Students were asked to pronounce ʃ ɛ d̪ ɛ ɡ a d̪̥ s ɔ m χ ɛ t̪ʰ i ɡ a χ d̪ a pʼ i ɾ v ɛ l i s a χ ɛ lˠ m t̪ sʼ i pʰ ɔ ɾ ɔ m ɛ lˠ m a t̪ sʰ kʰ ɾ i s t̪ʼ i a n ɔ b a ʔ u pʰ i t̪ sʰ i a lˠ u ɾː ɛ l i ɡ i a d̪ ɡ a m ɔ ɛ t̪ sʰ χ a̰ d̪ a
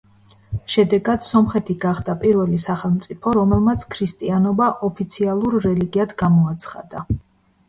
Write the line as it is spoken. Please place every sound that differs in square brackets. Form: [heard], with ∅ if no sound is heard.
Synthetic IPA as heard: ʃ ɛ d̪ ɛ ɡ a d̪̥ s ɔ m χ ɛ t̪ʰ i ɡ a χ d̪ a pʼ i ɾ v ɛ l i s a χ ɛ lˠ m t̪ sʼ i pʰ ɔ ɾ ɔ m ɛ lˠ m a t̪ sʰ kʰ ɾ i s t̪ʼ i a n ɔ b a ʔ [ɔ] pʰ i t̪ sʰ i a lˠ u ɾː ɛ l i ɡ i a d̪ ɡ a m ɔ [a] t̪ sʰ χ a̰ d̪ a